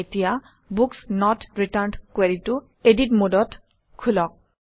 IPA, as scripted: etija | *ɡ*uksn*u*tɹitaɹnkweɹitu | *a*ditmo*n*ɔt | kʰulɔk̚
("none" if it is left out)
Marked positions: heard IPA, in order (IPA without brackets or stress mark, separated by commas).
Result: b, ɔ, e, d